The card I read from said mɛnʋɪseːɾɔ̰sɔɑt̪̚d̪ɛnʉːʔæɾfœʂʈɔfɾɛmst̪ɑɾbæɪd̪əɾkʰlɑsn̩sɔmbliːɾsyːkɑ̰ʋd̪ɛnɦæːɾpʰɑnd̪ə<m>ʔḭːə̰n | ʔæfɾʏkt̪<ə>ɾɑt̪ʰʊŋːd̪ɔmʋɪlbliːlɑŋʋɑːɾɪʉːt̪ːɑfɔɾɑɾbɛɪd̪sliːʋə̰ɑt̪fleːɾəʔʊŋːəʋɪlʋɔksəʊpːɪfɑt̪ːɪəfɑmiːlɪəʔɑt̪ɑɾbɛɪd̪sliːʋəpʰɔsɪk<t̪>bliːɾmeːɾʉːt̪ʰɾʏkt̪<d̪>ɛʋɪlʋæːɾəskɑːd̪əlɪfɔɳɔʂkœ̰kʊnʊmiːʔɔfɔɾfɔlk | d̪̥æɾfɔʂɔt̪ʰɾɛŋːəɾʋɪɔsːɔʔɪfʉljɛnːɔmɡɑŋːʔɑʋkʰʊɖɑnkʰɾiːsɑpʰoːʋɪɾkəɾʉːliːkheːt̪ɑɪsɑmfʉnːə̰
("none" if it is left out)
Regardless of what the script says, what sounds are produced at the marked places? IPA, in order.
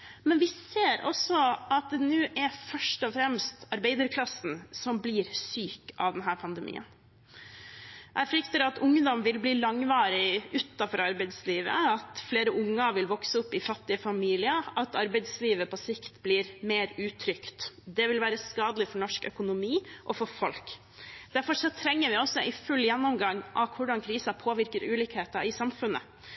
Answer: m, ə, t̪, d̪

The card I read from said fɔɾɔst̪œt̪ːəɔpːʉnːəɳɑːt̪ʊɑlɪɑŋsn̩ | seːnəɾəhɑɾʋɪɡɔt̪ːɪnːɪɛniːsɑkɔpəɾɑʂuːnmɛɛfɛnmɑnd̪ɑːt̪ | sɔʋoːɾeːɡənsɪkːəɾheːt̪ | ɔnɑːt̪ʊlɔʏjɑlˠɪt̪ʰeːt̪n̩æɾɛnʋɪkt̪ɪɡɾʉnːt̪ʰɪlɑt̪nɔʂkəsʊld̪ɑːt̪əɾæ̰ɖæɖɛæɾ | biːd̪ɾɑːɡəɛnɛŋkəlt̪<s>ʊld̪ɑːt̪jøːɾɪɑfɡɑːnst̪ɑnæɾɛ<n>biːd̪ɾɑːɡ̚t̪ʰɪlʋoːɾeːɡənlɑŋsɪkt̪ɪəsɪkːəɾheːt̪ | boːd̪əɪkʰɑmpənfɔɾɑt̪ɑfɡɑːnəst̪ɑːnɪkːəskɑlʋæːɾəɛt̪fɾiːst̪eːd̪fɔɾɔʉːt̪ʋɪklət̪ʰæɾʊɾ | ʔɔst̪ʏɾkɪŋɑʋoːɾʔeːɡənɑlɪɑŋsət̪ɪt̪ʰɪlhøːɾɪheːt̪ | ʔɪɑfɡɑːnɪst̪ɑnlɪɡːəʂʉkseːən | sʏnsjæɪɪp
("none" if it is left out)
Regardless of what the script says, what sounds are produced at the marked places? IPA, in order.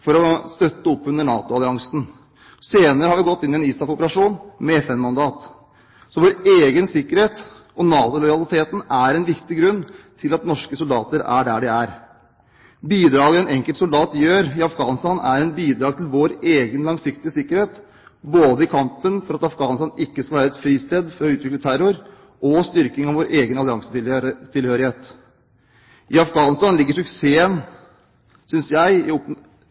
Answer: s, n

